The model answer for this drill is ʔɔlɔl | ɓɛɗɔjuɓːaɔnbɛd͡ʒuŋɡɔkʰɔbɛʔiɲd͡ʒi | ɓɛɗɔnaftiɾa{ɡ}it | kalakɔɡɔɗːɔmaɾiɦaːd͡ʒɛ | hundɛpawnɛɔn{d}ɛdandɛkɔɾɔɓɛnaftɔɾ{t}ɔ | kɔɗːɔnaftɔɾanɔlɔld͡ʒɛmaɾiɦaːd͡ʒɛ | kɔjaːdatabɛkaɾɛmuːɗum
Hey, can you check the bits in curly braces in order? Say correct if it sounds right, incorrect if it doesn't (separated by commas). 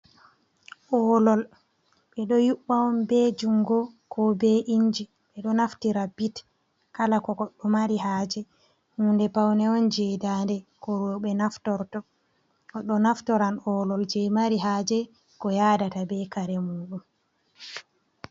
incorrect, incorrect, correct